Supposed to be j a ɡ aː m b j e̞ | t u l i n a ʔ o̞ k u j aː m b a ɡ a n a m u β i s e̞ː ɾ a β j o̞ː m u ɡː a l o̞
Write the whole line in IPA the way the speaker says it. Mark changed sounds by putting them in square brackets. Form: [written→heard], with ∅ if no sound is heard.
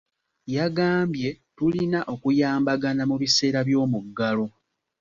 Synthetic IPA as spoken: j a ɡ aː m b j e̞ | t u l i n a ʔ o̞ k u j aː m b a ɡ a n a m u β i s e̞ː ɾ a β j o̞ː m u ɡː a l o̞